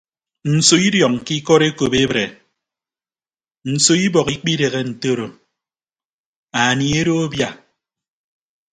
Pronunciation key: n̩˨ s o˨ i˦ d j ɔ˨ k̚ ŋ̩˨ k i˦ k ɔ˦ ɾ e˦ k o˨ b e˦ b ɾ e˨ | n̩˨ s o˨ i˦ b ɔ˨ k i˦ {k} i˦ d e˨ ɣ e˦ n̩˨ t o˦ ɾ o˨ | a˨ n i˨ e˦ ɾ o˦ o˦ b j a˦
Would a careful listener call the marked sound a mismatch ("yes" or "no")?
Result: yes